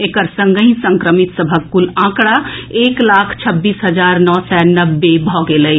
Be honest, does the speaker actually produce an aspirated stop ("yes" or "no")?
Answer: yes